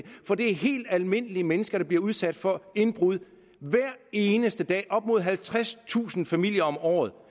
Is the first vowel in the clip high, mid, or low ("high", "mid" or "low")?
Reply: low